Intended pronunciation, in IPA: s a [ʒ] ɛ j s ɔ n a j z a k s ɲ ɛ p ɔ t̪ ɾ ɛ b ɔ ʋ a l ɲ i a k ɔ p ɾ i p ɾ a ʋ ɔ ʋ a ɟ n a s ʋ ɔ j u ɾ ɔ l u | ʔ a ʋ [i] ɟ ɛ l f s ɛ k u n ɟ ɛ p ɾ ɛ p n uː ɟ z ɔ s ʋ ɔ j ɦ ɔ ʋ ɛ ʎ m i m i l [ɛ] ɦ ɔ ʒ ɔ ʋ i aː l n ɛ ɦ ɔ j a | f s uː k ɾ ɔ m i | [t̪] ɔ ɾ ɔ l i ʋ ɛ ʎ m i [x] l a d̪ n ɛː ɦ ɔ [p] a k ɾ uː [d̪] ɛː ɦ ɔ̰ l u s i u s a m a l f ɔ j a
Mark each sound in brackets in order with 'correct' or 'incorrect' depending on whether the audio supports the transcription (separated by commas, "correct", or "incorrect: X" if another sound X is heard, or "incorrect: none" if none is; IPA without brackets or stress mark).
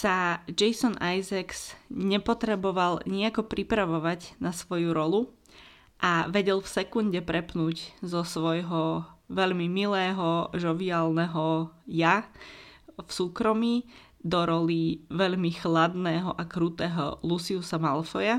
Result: incorrect: d͡ʒ, incorrect: ɛ, incorrect: ɛː, incorrect: d̪, correct, incorrect: ʔ, incorrect: t̪